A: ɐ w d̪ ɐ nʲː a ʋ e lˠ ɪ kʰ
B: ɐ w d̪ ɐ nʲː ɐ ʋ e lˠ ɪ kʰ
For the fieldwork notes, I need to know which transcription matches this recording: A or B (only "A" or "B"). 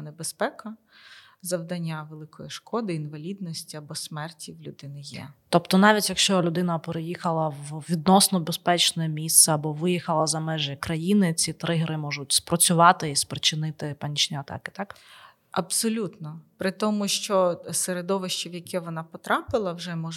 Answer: A